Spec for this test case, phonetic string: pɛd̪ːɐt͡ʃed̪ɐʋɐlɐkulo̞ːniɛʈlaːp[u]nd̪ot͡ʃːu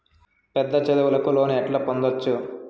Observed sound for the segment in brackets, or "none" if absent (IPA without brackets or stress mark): o